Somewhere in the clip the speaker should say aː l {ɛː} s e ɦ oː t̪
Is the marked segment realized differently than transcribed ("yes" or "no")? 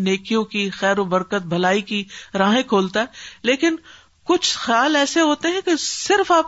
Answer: no